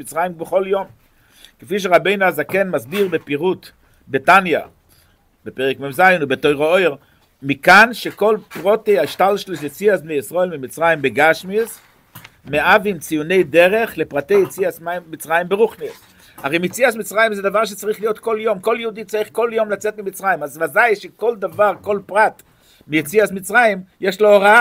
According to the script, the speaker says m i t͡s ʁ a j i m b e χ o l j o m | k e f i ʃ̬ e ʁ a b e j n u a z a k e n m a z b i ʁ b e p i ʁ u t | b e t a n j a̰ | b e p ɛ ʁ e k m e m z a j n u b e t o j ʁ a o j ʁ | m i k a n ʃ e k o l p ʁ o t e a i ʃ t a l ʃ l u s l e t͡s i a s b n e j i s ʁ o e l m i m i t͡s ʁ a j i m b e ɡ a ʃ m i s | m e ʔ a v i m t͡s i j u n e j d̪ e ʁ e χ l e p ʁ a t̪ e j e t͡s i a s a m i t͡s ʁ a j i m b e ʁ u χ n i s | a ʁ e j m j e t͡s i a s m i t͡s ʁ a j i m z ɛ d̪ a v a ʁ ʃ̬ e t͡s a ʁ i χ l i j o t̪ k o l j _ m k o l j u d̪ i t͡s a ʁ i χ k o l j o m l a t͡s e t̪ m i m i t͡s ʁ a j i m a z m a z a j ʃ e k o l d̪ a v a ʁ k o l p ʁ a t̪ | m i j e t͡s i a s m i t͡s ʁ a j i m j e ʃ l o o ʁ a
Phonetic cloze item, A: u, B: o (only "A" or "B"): B